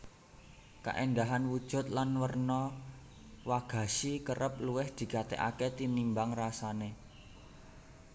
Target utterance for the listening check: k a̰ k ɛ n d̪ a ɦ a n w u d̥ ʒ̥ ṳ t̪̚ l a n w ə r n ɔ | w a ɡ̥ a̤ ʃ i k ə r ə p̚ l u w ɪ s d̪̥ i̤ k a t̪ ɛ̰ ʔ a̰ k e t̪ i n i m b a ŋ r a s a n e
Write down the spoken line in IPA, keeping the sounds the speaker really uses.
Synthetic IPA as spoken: k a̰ ʔ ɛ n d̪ a ɦ a n w u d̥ ʒ̥ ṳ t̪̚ l a n w ə r n ɔ | w a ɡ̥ a̤ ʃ i k ə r ə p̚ l u w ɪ h d̪̥ i̤ k a t̪ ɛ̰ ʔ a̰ k e t̪ i n i m b a ŋ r a s a n e